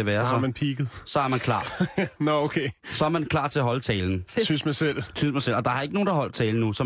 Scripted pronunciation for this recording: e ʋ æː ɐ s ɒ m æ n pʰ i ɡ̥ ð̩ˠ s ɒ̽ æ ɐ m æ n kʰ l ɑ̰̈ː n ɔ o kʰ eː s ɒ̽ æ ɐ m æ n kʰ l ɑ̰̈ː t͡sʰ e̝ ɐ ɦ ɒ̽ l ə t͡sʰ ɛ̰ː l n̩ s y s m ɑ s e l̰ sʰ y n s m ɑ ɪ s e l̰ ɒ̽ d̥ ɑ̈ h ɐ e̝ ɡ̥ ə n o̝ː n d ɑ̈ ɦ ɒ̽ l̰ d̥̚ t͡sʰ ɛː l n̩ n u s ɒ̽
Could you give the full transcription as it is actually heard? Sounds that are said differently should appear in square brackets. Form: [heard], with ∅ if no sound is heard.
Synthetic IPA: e ʋ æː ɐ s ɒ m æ n pʰ i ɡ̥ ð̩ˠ s ɒ̽ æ ɐ m æ n kʰ l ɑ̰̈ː n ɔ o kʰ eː s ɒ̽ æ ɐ m æ n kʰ l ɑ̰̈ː t͡sʰ e̝ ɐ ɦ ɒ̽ l ə t͡sʰ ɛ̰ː l n̩ s y s m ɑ s e l̰ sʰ y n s m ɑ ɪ s e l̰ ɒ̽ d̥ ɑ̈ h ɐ e̝ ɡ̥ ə n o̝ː n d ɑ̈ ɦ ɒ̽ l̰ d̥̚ t͡sʰ ɛː l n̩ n u s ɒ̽